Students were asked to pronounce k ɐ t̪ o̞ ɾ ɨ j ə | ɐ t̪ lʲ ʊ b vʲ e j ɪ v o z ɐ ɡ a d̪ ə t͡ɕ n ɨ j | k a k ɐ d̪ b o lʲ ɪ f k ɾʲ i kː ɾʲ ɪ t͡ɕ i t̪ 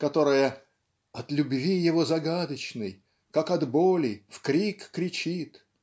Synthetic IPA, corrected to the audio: k ɐ t̪ o̞ ɾ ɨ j ə | ɐ t̪ lʲ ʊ b vʲ i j ɪ v o z ɐ ɡ a d̪ ə t͡ɕ n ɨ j | k a k ɐ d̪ b o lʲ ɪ f k ɾʲ i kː ɾʲ ɪ t͡ɕ i t̪